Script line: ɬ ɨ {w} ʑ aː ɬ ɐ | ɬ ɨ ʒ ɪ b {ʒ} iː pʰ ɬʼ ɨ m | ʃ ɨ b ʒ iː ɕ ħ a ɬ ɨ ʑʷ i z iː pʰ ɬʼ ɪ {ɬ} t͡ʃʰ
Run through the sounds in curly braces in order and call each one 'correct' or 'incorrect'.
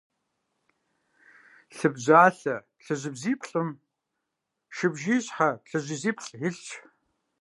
incorrect, incorrect, correct

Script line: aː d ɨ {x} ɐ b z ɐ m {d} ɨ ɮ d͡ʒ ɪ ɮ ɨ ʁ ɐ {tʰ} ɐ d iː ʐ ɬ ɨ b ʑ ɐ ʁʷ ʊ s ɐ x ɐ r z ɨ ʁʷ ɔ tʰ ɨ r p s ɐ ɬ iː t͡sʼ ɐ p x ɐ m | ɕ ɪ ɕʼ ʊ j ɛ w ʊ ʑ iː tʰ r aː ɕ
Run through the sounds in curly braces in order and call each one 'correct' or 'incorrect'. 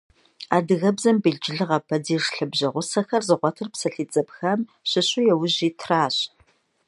incorrect, incorrect, incorrect

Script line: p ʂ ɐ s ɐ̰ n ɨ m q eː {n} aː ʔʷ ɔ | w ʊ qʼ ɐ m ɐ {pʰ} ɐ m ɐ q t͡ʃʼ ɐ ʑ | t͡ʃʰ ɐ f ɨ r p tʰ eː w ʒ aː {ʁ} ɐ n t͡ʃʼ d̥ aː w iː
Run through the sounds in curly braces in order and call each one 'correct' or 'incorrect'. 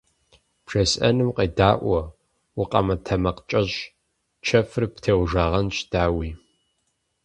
incorrect, incorrect, correct

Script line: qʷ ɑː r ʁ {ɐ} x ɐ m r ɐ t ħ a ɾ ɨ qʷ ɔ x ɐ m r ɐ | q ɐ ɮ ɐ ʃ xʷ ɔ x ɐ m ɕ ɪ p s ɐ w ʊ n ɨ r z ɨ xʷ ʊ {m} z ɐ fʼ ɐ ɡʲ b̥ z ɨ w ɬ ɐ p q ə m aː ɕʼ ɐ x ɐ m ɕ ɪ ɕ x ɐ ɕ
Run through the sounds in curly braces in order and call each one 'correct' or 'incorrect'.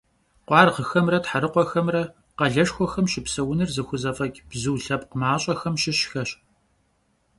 incorrect, incorrect

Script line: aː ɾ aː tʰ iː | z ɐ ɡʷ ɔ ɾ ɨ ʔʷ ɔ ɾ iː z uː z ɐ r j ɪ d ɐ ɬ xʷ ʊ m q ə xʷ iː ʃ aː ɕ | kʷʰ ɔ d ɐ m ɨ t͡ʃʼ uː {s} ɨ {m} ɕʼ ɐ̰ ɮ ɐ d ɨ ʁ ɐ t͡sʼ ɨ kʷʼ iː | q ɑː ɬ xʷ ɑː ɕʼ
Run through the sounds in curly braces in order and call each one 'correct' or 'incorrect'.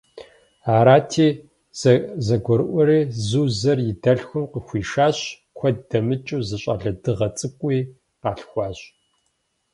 incorrect, incorrect

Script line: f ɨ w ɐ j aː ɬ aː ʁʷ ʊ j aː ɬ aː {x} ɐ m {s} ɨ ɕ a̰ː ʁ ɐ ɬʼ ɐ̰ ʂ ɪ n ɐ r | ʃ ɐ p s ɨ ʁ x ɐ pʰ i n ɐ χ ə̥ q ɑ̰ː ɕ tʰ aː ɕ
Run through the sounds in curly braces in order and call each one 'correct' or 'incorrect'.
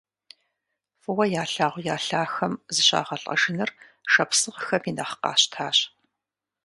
correct, incorrect

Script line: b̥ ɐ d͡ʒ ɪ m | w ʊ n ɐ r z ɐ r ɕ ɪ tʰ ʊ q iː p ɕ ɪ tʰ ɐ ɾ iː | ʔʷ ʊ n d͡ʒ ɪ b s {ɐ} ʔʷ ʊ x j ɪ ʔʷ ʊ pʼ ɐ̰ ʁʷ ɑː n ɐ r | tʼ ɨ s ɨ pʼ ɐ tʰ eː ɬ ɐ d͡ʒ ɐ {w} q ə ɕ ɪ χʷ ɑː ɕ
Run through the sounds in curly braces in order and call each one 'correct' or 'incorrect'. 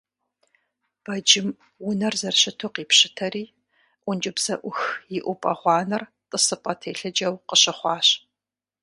correct, correct

